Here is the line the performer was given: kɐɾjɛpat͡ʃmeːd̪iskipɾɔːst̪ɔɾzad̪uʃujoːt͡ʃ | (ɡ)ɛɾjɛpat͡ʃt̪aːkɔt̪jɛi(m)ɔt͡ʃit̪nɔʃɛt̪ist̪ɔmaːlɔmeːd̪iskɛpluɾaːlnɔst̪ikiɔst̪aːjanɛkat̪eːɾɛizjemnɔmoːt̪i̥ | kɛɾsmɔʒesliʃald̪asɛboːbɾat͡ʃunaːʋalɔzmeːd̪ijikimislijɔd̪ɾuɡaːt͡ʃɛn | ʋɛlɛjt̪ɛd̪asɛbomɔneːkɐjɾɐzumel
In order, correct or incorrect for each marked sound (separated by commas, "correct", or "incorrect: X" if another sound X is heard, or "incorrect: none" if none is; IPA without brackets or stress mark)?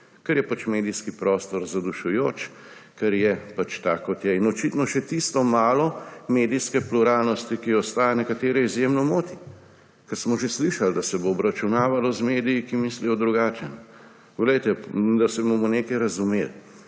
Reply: incorrect: k, incorrect: n